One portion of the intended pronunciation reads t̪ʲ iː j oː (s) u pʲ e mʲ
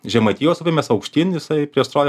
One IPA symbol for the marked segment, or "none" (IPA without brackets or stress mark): s